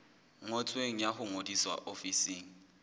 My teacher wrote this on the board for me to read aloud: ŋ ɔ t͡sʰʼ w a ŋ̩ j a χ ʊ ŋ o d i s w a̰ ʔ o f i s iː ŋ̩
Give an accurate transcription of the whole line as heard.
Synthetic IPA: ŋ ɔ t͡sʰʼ w e ŋ̩ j a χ ʊ ŋ o d i s w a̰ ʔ o f i s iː ŋ̩